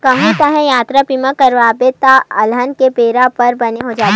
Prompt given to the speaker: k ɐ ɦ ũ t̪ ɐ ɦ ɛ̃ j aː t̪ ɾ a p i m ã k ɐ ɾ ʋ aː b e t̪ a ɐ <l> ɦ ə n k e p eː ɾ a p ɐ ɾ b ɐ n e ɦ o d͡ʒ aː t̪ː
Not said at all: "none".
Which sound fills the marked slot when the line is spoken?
l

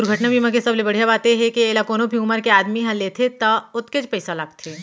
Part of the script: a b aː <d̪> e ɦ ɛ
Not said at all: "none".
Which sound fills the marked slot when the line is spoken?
t̪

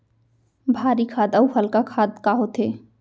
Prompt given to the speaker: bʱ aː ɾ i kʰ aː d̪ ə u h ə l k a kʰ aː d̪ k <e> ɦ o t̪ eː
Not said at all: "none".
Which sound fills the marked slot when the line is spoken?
a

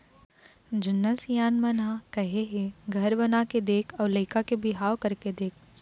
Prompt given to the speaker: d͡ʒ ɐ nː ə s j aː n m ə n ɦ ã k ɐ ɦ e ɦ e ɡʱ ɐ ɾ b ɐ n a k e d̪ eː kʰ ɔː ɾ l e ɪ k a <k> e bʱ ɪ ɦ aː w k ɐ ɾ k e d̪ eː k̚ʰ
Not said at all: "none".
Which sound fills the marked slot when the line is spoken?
k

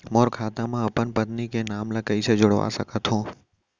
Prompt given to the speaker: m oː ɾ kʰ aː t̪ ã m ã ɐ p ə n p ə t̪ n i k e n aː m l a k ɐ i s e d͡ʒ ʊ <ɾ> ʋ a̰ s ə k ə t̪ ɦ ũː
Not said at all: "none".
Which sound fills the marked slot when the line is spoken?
ɽ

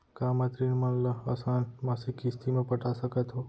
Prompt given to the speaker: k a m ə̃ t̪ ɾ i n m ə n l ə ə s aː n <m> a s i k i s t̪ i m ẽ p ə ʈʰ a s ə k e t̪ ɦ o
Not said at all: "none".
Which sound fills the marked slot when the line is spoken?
m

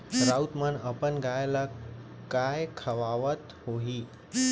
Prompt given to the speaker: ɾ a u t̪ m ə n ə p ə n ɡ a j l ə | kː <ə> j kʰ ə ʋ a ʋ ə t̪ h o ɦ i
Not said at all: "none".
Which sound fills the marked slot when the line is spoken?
a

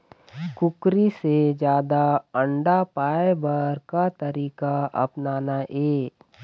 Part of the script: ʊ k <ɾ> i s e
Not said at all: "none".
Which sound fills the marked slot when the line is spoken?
ɾ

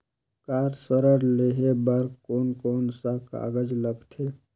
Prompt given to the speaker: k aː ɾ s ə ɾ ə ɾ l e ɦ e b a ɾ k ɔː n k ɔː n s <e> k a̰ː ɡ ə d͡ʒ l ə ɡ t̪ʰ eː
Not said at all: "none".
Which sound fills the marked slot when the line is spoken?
a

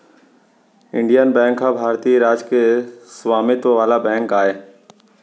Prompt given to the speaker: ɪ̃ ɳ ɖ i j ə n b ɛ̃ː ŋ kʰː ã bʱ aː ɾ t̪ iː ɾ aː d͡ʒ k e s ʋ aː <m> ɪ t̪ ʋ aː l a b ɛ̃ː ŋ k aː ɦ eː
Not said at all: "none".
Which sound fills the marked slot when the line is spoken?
m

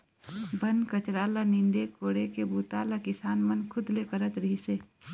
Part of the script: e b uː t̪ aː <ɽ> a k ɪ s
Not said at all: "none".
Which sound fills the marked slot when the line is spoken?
l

